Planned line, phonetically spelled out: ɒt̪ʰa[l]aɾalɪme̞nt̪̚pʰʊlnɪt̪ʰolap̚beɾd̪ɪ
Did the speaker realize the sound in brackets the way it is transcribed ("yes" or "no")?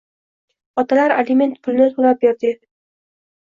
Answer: yes